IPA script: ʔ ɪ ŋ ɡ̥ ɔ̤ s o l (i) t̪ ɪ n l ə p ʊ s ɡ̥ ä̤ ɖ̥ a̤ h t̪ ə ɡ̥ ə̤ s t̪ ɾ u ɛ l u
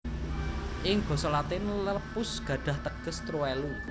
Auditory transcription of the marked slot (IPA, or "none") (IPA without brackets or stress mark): a